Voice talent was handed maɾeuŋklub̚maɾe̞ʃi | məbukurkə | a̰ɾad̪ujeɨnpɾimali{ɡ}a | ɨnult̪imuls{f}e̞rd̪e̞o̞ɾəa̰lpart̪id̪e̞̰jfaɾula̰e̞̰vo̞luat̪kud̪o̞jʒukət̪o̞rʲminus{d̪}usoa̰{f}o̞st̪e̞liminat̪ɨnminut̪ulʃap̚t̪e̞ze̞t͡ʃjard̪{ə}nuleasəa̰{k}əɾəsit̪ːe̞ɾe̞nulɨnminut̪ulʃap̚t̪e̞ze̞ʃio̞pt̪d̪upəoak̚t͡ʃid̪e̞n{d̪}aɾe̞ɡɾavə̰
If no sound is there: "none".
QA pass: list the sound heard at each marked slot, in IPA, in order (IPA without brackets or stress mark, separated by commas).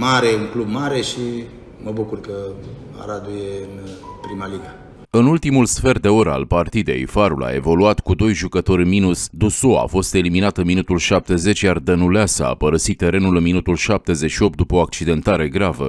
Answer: ɡ, f, d̪, f, ə, p, t̪